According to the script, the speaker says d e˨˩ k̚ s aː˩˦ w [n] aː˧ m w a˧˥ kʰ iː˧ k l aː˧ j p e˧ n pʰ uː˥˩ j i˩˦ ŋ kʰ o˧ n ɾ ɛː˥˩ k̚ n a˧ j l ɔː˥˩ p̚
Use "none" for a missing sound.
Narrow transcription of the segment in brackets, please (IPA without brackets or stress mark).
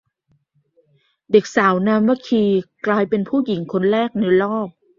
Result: n